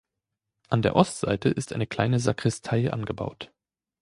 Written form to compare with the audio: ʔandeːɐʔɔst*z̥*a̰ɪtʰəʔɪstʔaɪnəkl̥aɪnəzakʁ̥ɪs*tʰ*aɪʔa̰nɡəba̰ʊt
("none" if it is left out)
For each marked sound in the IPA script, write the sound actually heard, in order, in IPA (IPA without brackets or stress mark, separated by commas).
z̥, tʰ